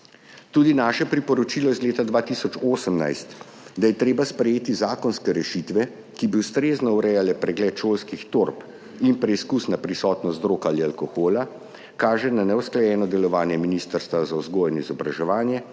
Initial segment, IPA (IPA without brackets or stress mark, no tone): t̪